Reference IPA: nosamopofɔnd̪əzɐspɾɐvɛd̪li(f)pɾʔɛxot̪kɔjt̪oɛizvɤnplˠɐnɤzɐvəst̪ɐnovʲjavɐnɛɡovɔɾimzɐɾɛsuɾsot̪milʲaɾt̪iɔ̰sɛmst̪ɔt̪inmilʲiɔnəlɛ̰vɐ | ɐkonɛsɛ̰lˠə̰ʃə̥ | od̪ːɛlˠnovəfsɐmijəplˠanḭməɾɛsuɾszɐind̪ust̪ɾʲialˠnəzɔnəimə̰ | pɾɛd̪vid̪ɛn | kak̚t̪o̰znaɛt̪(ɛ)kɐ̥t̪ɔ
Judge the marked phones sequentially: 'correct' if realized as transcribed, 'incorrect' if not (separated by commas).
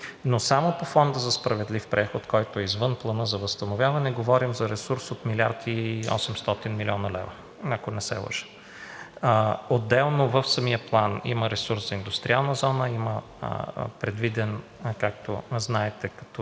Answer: correct, correct